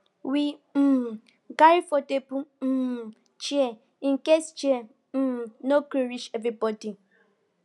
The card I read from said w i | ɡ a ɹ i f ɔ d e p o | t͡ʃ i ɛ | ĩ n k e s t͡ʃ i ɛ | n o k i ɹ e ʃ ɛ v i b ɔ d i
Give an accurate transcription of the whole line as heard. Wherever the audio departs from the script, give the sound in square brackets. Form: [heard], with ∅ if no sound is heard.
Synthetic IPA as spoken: w i | ɡ a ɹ i f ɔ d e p [u] | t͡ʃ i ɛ | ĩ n k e s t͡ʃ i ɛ | n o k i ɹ [i] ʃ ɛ v i b ɔ d i